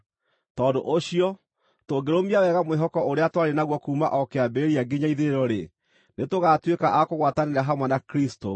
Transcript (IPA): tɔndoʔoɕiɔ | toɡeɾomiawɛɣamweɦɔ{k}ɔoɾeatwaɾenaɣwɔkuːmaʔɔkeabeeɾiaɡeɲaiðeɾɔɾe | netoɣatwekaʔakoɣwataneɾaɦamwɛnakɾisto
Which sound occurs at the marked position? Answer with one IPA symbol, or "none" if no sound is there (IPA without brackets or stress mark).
k